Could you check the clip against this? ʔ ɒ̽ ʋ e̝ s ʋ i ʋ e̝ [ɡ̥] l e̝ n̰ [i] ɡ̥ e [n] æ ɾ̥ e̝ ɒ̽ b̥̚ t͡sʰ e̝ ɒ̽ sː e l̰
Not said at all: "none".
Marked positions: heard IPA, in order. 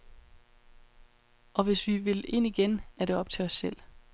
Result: none, i, n

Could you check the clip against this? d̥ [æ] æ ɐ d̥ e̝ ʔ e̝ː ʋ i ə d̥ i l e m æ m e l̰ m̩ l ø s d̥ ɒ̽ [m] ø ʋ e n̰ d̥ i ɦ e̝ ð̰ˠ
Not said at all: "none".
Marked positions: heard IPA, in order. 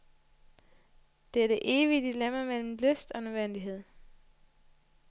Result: e, n

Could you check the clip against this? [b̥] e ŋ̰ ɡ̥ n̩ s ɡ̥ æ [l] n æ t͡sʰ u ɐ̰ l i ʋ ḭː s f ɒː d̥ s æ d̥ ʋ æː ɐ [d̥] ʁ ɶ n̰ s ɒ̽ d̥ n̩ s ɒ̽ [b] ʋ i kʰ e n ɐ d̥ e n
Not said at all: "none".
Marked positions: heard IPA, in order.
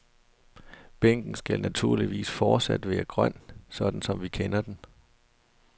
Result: b̥, l, ɡ̥, m

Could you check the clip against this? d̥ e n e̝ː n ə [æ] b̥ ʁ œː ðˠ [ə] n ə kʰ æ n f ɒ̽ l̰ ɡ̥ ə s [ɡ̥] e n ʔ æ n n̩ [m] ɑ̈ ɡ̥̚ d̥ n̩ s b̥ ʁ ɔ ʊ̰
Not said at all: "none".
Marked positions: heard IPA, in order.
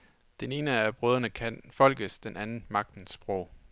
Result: æ, ɐ, d̥, m

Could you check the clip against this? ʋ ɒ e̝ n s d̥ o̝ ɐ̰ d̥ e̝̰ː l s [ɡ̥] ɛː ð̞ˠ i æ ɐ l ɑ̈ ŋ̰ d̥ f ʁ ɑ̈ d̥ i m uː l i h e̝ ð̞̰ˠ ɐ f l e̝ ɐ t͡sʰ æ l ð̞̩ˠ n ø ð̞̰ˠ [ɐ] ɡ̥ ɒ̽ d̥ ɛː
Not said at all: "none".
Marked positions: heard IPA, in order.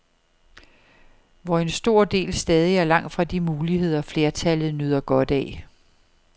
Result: d̥, ɐ

